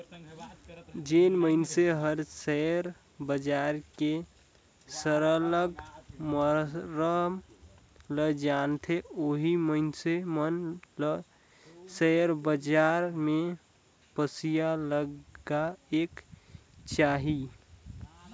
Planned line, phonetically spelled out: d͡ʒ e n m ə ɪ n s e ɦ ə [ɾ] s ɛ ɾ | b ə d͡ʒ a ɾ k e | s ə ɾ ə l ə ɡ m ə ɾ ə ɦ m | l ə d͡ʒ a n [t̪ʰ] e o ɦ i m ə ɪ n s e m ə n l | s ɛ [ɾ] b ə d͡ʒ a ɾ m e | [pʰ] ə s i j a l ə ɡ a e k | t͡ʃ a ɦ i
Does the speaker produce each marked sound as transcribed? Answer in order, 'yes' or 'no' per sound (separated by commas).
yes, yes, yes, no